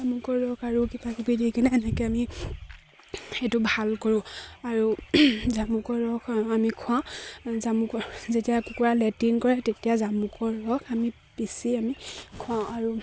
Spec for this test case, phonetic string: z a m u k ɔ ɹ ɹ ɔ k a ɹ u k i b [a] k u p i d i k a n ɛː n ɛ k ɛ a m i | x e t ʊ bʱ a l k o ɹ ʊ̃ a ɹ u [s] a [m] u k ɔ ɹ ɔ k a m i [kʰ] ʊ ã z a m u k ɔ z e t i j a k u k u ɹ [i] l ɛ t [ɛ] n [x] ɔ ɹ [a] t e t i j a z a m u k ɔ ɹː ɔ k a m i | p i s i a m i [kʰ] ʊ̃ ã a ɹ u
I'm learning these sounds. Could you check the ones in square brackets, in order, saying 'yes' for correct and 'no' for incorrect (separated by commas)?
yes, no, yes, yes, no, no, no, no, yes